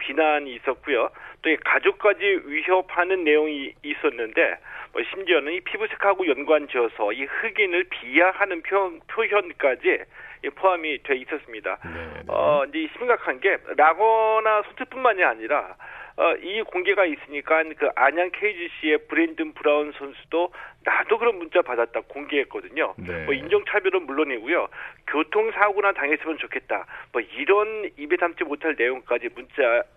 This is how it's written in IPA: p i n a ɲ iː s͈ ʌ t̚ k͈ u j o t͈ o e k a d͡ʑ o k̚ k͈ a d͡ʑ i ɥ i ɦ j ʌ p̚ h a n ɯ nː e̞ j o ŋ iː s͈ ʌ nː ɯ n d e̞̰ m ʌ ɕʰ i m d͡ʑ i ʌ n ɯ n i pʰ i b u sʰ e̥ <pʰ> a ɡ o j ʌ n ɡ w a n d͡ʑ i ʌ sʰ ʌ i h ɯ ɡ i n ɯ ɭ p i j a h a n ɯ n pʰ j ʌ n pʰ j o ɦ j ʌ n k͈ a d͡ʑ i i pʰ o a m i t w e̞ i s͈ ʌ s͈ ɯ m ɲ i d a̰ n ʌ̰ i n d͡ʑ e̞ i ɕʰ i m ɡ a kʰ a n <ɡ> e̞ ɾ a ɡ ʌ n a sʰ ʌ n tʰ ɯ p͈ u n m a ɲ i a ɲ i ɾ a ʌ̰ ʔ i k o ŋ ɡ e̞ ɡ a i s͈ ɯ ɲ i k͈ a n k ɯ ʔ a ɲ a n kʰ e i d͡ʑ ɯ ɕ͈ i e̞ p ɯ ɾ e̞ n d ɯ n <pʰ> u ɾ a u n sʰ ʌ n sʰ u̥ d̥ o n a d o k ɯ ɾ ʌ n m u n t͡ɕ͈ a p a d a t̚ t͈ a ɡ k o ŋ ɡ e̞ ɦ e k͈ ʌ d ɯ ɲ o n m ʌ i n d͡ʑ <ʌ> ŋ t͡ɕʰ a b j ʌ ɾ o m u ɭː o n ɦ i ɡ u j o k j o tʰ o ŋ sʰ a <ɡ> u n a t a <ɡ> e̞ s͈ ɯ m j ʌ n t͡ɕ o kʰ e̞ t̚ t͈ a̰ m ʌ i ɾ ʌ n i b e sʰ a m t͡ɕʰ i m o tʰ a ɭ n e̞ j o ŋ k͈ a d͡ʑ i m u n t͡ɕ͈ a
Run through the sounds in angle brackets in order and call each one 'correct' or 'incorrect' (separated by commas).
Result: incorrect, correct, incorrect, correct, correct, incorrect